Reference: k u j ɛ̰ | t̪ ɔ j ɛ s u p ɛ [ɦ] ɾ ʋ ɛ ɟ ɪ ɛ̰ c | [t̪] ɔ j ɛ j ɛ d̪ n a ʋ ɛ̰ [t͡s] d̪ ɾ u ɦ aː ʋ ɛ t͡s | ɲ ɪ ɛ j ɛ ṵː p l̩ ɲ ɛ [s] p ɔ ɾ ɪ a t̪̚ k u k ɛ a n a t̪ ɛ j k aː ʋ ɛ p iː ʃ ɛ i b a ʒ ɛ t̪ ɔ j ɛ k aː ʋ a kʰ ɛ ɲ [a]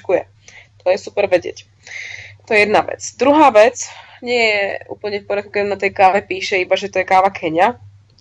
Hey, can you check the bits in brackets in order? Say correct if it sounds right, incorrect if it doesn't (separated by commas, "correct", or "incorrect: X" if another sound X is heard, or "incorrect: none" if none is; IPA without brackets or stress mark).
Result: incorrect: none, correct, correct, incorrect: f, correct